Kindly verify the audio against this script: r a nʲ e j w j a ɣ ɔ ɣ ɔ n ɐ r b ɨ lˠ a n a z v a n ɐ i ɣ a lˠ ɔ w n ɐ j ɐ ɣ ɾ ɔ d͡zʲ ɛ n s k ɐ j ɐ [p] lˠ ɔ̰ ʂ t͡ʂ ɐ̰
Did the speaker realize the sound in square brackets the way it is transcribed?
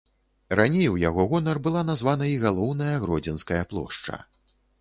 yes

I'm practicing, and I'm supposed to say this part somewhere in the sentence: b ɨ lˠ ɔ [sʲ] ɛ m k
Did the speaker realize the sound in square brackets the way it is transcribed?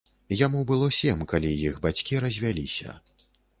yes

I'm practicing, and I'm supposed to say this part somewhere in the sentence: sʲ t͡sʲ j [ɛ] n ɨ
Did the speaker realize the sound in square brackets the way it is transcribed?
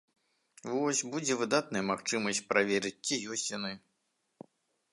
no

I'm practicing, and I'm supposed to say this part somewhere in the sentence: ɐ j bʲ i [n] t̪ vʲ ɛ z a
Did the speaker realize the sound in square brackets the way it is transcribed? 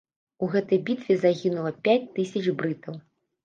no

